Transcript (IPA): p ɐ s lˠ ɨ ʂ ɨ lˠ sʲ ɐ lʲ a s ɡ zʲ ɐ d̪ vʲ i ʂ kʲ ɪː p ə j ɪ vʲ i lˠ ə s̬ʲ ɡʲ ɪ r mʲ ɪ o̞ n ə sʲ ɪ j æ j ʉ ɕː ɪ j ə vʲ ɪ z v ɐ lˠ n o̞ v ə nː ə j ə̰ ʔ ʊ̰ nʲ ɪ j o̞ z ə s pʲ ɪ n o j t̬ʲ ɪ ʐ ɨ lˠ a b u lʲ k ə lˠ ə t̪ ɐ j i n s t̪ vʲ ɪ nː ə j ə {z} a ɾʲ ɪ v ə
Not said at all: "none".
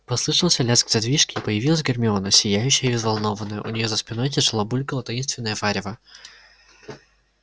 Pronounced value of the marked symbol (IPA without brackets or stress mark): v